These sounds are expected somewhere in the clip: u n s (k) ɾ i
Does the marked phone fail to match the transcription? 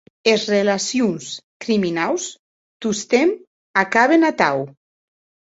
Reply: no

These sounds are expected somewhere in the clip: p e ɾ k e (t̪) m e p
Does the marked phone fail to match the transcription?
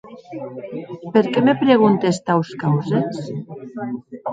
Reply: yes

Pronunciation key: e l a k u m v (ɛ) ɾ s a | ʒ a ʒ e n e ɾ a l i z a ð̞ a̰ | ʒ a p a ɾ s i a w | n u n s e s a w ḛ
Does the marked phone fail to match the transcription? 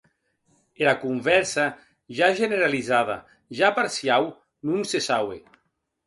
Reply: no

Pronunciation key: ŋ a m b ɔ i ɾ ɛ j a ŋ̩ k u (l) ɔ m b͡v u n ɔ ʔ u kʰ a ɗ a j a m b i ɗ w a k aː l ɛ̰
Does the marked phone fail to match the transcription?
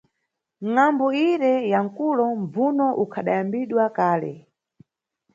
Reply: no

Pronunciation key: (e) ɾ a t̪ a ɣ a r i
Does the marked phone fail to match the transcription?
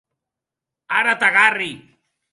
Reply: yes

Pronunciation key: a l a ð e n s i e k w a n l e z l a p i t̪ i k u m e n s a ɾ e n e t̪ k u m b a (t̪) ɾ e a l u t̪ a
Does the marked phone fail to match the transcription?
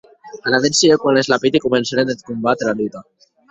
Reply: no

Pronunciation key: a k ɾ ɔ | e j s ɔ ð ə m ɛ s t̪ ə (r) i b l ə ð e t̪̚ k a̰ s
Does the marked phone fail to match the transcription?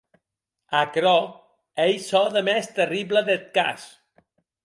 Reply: no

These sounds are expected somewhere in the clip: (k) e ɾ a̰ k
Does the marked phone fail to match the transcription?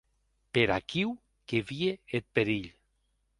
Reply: yes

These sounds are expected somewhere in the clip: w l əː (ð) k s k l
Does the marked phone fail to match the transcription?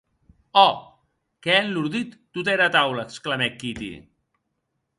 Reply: yes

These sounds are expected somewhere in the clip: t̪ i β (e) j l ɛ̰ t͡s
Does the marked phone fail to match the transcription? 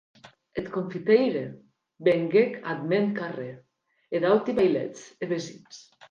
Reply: yes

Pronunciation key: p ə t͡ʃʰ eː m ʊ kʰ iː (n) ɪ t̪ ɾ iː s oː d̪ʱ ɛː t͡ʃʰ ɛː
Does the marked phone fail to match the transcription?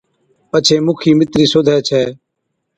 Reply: yes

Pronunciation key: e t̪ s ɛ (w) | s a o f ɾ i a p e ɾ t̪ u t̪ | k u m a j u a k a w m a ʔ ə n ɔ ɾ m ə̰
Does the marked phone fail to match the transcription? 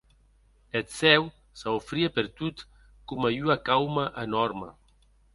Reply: no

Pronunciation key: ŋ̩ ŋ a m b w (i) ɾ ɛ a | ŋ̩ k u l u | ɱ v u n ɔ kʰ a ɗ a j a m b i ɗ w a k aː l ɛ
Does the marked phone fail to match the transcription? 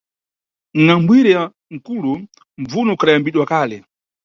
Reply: no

